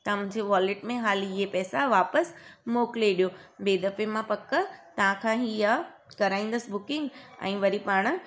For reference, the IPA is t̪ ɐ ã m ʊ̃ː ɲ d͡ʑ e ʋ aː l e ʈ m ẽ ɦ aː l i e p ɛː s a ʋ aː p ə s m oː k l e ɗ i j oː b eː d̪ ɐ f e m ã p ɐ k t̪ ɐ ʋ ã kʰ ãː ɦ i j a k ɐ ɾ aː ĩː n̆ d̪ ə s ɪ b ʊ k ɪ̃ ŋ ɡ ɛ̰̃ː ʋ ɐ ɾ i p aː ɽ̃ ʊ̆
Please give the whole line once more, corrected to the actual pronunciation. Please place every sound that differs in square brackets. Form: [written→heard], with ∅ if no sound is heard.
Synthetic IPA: t̪ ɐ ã m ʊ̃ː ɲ d͡ʑ e ʋ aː l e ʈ m ẽ ɦ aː l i e p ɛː s a ʋ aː p ə s m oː k l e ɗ i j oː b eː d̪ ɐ f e m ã p ɐ k t̪ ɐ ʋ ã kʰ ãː ɦ i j a k ɐ ɾ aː ĩː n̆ d̪ ə s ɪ b ʊ k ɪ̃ ŋ ɡ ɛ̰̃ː ʋ ɐ ɾ i p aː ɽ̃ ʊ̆